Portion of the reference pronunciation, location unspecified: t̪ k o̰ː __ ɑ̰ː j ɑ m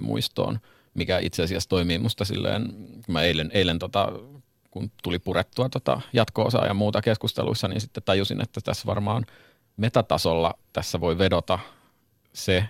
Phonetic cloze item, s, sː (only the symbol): s